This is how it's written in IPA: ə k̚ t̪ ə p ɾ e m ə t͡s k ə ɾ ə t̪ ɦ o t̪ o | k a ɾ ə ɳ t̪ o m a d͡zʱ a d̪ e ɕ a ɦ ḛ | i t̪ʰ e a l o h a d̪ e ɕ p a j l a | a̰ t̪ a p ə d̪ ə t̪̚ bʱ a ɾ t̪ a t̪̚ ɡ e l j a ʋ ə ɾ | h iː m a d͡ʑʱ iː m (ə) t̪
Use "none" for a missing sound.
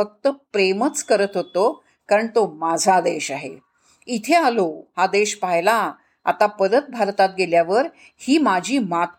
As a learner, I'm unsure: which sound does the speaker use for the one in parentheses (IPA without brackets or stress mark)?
a